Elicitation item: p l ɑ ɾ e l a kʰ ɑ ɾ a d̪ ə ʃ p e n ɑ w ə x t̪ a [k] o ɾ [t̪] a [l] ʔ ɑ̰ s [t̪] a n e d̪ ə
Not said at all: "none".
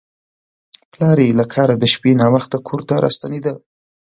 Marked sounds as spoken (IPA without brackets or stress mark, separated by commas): kʰ, t̪, ɾ, t̪